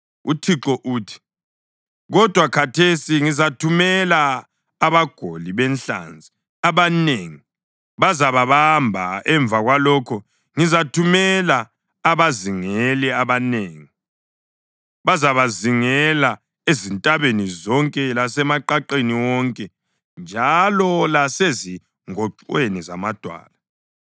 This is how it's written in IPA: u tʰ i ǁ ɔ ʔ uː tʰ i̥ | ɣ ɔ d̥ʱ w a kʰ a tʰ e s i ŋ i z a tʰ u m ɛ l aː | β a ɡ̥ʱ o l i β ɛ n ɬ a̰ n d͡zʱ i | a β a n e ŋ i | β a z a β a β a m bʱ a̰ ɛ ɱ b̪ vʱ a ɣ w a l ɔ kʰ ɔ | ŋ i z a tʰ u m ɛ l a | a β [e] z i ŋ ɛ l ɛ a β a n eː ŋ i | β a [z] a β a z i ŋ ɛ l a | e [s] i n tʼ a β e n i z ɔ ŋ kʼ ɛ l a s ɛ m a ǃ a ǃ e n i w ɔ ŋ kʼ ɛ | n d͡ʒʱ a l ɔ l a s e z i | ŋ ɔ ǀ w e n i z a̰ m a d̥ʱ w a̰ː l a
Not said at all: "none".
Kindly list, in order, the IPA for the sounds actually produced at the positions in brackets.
a, z, z

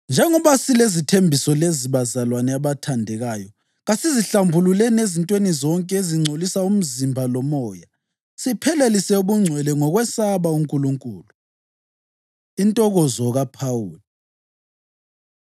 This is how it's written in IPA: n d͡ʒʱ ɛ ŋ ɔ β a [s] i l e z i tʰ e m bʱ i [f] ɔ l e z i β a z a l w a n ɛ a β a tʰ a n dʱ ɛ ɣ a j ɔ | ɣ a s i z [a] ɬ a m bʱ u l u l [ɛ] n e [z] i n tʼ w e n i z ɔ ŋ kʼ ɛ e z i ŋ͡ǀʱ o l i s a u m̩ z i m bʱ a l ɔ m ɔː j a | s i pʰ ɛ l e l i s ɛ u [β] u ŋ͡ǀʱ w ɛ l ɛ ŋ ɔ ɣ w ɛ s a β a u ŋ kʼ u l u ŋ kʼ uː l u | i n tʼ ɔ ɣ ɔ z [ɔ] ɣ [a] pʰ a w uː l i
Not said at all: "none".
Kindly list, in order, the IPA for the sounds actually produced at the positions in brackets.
s, s, i, ɛ, z, β, ɔ, a

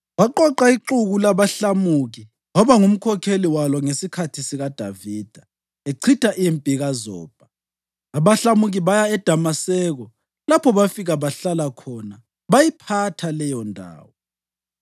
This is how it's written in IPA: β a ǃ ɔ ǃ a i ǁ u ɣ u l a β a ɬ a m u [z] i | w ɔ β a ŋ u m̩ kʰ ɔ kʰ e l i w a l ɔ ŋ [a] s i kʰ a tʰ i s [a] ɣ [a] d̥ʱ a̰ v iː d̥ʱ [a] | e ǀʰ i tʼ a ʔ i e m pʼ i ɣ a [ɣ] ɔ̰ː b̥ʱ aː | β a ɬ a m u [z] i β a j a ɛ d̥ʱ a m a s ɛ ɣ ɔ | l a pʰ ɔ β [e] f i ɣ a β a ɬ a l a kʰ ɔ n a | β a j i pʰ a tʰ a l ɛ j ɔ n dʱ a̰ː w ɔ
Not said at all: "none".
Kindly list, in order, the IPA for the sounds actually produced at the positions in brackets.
ɣ, e, i, a, a, z, ɣ, a

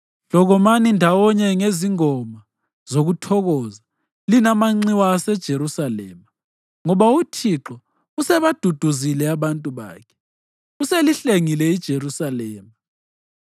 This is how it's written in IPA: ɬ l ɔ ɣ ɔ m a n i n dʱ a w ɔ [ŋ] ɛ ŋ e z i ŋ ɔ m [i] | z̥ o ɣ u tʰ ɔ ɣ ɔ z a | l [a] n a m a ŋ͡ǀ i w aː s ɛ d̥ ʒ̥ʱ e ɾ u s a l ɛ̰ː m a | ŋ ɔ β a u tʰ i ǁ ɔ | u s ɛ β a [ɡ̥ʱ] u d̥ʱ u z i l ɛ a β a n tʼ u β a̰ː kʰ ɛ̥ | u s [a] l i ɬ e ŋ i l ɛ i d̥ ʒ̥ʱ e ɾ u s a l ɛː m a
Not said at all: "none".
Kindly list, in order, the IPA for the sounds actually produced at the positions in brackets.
ɲ, a, i, d̥ʱ, e

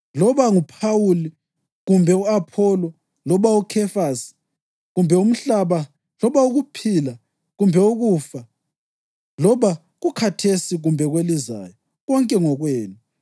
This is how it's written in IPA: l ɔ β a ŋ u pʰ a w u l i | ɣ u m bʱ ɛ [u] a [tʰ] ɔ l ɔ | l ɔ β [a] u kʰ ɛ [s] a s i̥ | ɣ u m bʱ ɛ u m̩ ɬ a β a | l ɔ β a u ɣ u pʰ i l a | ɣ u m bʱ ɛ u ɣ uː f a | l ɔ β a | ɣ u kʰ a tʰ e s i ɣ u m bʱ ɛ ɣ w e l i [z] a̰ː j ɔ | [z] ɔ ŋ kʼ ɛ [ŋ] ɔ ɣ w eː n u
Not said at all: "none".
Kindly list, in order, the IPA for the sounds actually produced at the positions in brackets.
u, pʰ, a, f, z, ɣ, ŋ

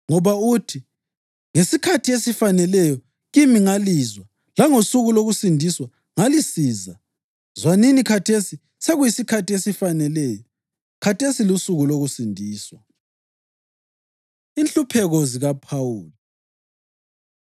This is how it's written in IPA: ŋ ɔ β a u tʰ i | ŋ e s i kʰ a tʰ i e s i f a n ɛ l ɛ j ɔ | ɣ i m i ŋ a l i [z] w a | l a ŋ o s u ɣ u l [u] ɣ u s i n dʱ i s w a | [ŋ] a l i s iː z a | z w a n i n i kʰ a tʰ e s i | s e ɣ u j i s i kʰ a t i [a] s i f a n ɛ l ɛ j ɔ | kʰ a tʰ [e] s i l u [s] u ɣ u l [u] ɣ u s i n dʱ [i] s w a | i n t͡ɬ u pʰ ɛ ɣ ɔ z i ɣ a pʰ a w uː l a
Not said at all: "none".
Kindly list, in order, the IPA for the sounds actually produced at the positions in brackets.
z, o, ŋ, e, e, s, o, iː

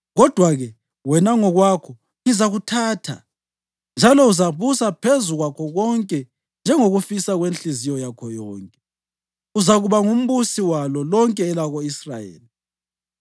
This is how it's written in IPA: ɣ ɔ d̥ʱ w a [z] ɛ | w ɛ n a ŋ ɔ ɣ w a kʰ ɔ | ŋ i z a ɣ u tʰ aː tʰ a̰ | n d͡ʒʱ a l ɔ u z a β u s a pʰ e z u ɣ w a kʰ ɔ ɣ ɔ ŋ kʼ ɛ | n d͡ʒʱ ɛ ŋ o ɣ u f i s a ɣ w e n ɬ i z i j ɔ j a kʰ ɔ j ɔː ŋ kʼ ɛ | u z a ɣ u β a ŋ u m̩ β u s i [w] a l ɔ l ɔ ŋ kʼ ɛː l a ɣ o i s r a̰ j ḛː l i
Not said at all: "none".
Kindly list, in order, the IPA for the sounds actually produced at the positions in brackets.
ɣ, w

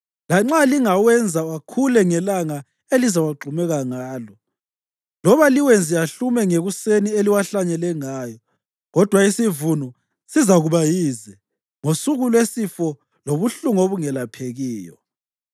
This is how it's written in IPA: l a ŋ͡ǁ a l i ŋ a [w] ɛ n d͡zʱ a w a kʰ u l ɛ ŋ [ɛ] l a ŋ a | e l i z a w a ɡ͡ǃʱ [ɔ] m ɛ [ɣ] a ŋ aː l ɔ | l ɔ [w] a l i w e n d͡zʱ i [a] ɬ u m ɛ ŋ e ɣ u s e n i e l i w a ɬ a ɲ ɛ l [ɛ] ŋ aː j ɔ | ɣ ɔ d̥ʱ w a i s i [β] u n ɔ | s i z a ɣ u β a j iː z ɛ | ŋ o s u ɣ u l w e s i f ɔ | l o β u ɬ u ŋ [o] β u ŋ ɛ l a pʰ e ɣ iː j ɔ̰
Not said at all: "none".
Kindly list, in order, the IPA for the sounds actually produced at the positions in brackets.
w, ɛ, u, ɣ, β, a, ɛ, v, o

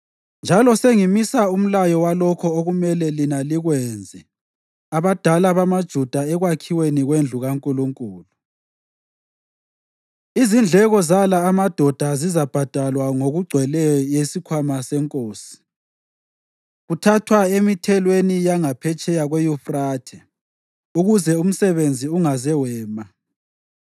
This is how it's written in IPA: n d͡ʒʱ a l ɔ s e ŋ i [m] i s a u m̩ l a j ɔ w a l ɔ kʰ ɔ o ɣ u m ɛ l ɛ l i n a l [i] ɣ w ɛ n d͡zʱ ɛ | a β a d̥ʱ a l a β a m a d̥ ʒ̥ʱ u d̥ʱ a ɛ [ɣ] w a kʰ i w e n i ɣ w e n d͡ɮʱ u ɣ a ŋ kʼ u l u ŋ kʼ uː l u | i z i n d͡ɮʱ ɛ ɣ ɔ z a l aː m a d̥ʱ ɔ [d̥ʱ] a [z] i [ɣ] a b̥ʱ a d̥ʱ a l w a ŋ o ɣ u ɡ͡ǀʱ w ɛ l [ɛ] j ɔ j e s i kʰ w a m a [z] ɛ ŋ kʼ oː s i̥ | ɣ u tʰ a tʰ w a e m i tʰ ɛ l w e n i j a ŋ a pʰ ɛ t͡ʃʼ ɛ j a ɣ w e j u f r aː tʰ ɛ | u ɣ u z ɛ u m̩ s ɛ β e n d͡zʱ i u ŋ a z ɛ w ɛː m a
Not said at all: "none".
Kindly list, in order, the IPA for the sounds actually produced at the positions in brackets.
m, i, ɣ, d̥ʱ, z, z, ɛ, s

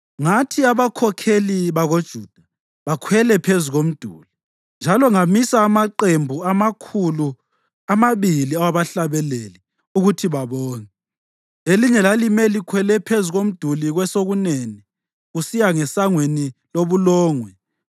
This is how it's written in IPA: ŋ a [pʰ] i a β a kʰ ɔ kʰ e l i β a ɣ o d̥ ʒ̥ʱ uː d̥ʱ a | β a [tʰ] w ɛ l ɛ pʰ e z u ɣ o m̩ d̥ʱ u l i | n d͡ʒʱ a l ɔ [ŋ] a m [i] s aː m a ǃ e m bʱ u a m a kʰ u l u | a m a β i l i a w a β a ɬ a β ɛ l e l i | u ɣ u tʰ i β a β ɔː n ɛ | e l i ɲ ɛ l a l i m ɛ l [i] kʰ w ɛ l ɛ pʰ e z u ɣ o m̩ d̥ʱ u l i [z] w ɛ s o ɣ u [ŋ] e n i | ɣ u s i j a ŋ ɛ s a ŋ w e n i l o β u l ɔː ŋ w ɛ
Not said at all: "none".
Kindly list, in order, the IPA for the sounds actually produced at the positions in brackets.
tʰ, kʰ, ŋ, i, i, ɣ, n

